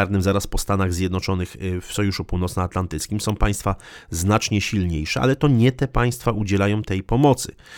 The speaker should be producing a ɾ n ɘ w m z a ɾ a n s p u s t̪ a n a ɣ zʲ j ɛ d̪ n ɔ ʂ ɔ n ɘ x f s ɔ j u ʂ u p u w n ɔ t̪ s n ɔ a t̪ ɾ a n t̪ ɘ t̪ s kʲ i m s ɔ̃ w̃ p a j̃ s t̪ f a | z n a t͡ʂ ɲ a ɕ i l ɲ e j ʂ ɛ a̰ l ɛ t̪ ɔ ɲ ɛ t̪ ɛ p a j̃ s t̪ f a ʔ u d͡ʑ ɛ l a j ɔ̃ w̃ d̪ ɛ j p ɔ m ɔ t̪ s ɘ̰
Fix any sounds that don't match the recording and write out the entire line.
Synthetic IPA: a ɾ n ɘ m z a ɾ a s p ɔ s t̪ a n a ɣ zʲ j ɛ d̪ n ɔ t͡ʂ ɔ n ɘ x f s ɔ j u ʂ u p u w n ɔ t̪ s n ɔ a t̪ l a n t̪ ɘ t̪ s kʲ i m s ɔ̃ w̃ p a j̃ s t̪ f a | z n a t͡ʂ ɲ ɛ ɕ i l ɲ e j ʂ ɛ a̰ l ɛ t̪ ɔ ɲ ɛ t̪ ɛ p a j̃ s t̪ f a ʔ u d͡ʑ ɛ l a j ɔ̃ w̃ t̪ ɛ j p ɔ m ɔ t̪ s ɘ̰